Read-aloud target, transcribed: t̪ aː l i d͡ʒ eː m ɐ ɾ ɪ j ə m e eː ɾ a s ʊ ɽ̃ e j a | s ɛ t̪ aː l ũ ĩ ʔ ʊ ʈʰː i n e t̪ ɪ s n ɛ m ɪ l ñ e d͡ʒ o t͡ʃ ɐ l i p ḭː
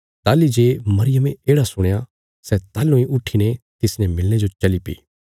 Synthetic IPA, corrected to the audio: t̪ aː l i d͡ʒ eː m ɐ ɾ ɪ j ə m e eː ɽ a s ʊ ɽ̃ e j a | s ɛ t̪ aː l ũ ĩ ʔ ʊ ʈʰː i n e t̪ ɪ s n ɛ m ɪ l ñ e d͡ʒ o t͡ʃ ɐ l i p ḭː